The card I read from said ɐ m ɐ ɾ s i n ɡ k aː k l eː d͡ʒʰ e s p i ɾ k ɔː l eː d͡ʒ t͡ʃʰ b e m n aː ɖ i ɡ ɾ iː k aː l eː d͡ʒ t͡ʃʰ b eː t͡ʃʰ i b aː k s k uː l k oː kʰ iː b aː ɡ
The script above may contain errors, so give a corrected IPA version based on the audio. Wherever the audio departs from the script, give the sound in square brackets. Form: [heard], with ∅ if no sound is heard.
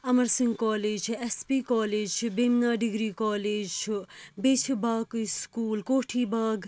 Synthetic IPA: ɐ m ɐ ɾ s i [ŋ] ɡ k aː [∅] l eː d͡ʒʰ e s p i [∅] k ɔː l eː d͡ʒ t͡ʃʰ b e m n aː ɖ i ɡ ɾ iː k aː l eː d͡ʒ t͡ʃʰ b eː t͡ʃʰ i b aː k s k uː l k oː [ʈʰ] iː b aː ɡ

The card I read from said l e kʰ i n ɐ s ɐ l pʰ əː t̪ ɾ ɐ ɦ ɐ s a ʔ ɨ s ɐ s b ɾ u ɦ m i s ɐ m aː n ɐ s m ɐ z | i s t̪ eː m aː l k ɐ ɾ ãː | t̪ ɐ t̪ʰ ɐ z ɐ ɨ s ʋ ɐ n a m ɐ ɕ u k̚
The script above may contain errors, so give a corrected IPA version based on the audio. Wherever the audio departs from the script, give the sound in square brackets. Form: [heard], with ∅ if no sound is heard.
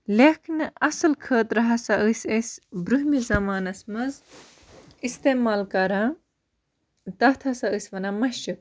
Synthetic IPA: l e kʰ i n ɐ s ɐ l [kʰ] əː t̪ ɾ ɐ ɦ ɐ s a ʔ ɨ s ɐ s b ɾ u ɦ m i [z] ɐ m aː n ɐ s m ɐ z | i s t̪ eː m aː l k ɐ ɾ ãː | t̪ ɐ t̪ʰ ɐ [s] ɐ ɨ s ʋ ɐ n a m ɐ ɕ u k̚

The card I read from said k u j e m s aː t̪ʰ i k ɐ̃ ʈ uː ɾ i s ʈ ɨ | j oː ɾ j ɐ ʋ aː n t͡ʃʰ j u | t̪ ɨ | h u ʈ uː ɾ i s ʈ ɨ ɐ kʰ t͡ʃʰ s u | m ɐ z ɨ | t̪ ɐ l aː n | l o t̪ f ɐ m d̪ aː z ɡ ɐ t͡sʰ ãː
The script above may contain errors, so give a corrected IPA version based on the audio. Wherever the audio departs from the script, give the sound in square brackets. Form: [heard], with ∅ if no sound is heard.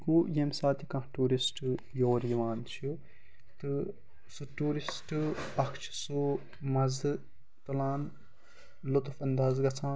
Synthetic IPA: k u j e m s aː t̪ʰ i k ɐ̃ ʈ uː ɾ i s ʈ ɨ | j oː ɾ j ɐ ʋ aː n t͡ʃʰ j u | t̪ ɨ | [s] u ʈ uː ɾ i s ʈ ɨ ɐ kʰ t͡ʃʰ s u | m ɐ z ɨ | t̪ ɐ l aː n | l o t̪ f ɐ [n] d̪ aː z ɡ ɐ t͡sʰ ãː

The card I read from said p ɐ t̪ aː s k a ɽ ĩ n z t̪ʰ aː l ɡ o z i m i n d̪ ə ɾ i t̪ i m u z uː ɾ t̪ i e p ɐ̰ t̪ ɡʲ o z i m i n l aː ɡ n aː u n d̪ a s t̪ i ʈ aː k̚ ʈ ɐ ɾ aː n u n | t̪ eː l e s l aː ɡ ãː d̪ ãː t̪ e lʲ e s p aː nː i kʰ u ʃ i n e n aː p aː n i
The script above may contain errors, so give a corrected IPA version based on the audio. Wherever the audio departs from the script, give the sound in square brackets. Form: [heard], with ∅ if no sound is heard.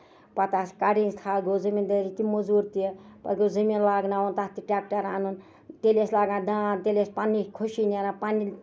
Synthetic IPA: p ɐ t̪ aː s k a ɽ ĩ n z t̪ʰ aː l ɡ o z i m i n d̪ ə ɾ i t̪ i m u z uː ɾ t̪ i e p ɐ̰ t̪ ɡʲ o z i m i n l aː ɡ n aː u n [t̪] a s t̪ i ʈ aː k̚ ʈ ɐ ɾ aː n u n | t̪ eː l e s l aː ɡ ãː d̪ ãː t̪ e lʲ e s p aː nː i kʰ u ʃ i n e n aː p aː n i

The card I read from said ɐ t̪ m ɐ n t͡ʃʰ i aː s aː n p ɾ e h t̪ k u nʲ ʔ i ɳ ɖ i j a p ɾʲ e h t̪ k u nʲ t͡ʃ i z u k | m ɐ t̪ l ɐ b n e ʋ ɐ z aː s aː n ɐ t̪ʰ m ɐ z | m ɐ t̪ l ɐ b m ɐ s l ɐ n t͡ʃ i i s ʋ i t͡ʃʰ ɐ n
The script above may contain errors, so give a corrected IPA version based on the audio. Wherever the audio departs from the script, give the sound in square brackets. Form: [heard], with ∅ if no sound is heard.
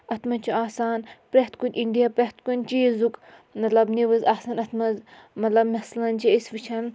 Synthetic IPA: ɐ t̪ m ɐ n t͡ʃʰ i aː s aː n p ɾ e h t̪ k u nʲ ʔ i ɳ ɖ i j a p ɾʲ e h t̪ k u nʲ t͡ʃ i z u k | m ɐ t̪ l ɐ b n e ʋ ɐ z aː s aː n ɐ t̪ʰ m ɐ z | m ɐ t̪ l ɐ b m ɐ s l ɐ n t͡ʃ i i s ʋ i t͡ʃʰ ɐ n

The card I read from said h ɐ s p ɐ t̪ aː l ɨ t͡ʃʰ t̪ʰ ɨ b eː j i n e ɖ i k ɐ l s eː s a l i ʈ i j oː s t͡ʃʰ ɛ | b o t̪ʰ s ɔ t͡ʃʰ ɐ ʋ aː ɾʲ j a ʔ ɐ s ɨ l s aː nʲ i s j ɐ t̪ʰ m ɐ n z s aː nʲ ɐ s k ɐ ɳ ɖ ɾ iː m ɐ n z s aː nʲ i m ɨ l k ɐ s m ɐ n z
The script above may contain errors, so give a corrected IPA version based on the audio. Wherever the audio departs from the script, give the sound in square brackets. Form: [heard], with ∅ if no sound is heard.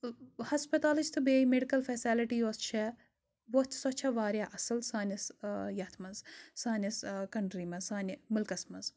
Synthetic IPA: h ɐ s p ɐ t̪ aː l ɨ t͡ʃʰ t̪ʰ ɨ b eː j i [m] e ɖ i k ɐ l [f] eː s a l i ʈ i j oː s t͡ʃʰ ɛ | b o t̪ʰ s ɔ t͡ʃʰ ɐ ʋ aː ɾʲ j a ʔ ɐ s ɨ l s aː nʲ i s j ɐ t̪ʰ m ɐ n z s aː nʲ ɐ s k ɐ ɳ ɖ ɾ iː m ɐ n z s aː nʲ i m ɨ l k ɐ s m ɐ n z

